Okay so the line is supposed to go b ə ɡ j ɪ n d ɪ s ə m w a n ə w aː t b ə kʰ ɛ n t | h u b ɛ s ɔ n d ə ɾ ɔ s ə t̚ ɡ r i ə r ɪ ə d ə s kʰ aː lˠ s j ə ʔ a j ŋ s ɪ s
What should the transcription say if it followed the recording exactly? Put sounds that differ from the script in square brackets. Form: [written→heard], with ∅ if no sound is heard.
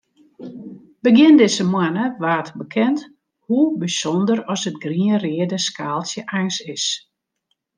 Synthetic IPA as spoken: b ə ɡ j ɪ n d ɪ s ə m w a n ə [w→ʋ] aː t b ə kʰ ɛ n t | h u b [ɛ→i] s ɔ n d ə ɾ ɔ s ə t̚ ɡ r i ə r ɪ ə d ə s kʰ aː lˠ s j ə ʔ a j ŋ s ɪ s

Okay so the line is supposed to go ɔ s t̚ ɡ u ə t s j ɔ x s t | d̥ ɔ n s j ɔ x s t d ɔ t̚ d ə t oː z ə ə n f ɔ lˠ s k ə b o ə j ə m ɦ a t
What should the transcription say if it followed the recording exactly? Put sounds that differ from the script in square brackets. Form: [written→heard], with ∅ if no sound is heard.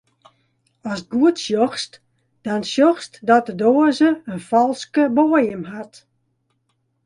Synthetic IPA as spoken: ɔ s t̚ ɡ u ə t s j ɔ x s t | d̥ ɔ n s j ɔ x s t d ɔ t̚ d ə [t→d] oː z ə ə n f ɔ lˠ s k ə b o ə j ə m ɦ a t

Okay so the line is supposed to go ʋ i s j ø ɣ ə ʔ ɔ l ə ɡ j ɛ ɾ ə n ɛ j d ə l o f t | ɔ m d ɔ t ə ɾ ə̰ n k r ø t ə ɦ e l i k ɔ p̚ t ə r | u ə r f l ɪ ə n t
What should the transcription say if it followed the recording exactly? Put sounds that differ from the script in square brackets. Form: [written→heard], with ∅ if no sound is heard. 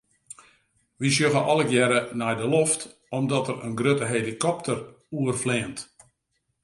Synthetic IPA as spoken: ʋ i s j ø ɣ ə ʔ ɔ l ə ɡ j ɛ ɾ ə n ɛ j d ə l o f t | ɔ m d ɔ t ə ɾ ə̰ n [k→ɡ] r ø t ə ɦ e l i k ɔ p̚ t ə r | u ə r f l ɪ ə n t

